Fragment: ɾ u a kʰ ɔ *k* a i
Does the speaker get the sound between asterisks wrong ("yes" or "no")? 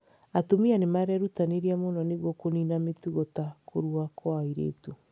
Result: yes